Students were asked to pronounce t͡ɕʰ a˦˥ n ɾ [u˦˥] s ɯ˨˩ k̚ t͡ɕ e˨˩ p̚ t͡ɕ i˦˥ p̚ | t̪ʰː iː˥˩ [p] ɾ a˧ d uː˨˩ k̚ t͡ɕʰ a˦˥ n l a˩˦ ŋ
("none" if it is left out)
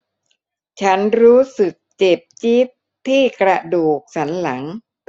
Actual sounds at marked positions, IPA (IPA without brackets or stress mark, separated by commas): uː˦˥, k